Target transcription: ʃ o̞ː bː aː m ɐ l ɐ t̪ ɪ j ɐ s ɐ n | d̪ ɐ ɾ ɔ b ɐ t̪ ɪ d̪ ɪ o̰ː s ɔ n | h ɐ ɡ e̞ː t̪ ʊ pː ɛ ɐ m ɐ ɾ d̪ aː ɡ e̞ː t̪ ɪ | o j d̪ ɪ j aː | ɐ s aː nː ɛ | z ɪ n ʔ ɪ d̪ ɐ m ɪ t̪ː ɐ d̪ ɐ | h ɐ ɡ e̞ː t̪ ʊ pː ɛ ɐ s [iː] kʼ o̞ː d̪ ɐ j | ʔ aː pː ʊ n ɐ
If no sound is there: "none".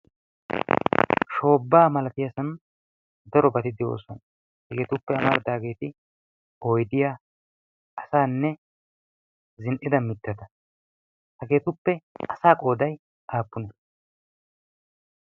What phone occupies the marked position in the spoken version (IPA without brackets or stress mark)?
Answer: aː